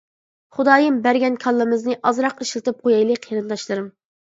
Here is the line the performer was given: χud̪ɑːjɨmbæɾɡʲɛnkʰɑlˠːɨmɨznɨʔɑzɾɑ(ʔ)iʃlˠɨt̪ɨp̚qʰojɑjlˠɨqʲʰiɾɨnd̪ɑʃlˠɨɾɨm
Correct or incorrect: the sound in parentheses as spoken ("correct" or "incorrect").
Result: incorrect